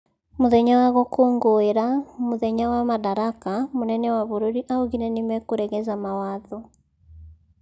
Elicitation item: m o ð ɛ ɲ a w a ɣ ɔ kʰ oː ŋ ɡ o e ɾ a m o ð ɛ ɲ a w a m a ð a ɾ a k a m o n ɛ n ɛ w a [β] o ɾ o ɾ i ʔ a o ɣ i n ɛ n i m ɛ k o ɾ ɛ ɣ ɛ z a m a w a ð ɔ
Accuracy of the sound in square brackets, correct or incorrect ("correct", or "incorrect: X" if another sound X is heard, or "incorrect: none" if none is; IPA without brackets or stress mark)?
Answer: correct